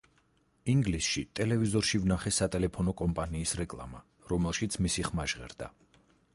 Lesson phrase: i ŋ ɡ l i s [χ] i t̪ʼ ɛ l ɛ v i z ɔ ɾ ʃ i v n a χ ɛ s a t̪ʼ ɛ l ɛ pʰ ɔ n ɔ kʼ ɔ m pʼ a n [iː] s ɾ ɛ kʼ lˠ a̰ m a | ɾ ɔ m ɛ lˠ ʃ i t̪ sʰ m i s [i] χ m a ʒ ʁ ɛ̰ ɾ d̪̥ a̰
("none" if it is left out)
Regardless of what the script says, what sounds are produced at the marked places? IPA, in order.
ʃ, iː, i

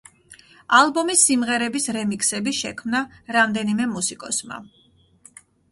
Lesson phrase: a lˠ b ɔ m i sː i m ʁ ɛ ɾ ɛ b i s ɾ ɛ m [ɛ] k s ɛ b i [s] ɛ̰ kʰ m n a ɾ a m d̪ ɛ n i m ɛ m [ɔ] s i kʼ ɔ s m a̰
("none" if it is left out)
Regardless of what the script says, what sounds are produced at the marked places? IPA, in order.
i, ʃ, u

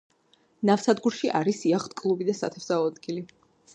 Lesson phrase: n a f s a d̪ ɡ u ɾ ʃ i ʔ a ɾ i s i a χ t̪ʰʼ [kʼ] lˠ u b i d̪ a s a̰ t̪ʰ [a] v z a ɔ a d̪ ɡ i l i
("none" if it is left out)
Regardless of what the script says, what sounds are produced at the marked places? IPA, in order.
kʼ, ɛ

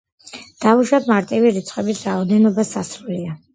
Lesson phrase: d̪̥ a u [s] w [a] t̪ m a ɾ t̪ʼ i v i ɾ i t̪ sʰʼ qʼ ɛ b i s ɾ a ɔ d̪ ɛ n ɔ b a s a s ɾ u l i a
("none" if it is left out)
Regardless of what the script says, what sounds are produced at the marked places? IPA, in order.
ʃ, a

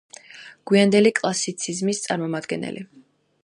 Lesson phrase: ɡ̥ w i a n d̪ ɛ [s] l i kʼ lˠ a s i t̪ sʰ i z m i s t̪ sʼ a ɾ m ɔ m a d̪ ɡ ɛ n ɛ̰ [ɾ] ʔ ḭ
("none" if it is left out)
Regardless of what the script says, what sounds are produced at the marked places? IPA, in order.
none, l

